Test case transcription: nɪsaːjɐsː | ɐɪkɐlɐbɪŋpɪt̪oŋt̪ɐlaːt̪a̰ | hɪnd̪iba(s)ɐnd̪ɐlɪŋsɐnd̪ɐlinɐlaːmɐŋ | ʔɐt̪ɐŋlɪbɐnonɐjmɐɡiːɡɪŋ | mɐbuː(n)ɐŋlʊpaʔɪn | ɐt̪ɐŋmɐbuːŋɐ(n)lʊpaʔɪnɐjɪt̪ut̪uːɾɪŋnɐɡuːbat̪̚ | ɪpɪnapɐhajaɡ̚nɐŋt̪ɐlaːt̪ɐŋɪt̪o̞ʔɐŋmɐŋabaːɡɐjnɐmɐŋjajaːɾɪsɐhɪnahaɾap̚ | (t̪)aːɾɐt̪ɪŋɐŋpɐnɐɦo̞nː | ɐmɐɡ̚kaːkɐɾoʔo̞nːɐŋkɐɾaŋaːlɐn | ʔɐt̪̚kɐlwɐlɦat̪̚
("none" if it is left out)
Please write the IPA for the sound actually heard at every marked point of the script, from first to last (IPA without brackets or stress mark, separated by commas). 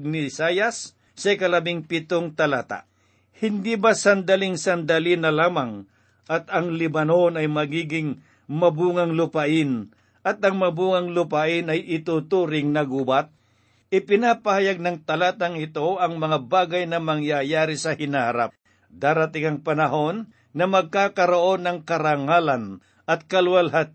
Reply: s, ŋ, ŋ, d̪